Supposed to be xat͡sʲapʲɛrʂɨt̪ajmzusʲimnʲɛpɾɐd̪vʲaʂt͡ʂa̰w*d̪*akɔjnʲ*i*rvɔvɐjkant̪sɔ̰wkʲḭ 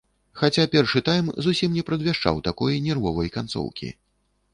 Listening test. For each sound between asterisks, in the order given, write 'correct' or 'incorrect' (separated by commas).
incorrect, incorrect